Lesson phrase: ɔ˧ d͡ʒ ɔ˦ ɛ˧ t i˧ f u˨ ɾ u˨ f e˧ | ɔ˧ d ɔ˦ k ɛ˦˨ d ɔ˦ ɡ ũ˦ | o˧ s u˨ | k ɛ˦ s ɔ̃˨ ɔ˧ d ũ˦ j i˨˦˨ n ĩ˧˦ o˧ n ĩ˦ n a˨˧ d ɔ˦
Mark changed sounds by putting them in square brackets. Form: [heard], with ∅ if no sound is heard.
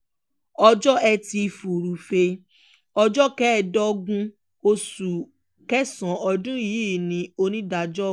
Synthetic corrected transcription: ɔ˧ d͡ʒ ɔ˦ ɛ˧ t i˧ f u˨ ɾ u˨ f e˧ | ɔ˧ [d͡ʒ] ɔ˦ k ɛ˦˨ d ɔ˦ ɡ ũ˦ | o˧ s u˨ | k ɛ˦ s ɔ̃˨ ɔ˧ d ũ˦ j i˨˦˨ n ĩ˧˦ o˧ n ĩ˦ [d] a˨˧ [d͡ʒ] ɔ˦